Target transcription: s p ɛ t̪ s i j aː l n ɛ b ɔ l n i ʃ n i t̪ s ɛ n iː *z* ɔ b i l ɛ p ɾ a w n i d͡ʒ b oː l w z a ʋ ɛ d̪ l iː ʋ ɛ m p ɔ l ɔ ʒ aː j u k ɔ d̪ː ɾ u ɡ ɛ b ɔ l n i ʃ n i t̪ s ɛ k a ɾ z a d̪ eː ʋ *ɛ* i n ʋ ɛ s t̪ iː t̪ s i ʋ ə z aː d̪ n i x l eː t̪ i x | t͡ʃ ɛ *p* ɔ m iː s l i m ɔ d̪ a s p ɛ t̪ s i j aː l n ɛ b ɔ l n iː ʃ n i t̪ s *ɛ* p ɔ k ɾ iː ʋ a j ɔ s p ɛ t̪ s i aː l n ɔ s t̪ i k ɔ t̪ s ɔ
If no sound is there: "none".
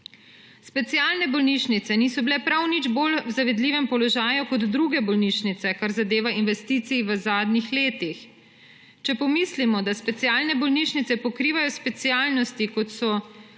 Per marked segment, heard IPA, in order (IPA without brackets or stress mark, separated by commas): s, a, p, ɛ